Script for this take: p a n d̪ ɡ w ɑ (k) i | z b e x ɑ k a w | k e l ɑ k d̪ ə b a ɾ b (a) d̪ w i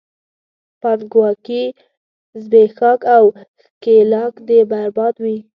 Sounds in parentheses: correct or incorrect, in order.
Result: correct, incorrect: ɑ

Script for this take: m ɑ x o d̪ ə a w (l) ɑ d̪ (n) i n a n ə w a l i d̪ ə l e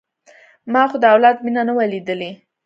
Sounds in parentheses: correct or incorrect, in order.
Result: correct, incorrect: m

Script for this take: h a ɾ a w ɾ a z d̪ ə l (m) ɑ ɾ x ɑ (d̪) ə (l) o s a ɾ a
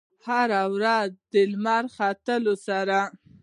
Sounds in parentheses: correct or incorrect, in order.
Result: correct, incorrect: t̪, correct

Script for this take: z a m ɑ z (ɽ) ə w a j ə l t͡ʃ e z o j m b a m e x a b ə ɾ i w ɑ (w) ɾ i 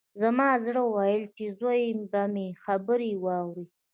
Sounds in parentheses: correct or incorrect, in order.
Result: correct, correct

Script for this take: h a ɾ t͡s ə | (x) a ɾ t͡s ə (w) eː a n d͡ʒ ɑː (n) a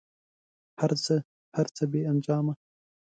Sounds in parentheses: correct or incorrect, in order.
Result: incorrect: h, incorrect: b, incorrect: m

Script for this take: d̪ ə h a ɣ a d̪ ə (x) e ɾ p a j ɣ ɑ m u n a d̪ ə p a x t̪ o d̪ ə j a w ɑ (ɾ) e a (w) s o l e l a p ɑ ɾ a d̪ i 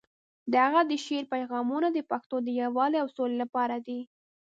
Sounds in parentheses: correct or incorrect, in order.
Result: incorrect: ʃ, incorrect: l, correct

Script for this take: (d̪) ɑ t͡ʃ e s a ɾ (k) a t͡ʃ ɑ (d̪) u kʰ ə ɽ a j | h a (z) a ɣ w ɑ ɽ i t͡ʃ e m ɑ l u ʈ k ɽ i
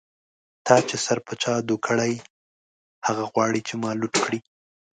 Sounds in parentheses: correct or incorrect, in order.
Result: incorrect: t̪, incorrect: p, correct, incorrect: ɣ

